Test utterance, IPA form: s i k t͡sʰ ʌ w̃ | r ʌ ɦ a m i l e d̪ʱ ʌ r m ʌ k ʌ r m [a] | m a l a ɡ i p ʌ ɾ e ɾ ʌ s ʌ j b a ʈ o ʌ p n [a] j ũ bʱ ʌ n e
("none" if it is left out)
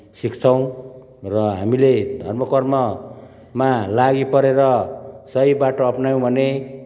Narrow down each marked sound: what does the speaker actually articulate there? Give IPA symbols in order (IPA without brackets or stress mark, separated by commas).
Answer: ʌ, a